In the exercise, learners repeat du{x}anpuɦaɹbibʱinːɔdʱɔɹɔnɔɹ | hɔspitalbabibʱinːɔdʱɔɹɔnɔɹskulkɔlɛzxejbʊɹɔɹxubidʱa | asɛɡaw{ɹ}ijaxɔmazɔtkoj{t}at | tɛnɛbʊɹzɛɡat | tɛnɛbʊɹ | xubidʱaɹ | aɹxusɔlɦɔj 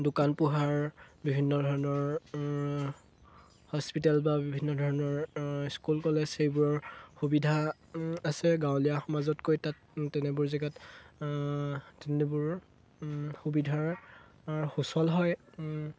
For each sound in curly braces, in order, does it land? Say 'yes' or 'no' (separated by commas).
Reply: no, no, yes